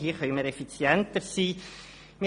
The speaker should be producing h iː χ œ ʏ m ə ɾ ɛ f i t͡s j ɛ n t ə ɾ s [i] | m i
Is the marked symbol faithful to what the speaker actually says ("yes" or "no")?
no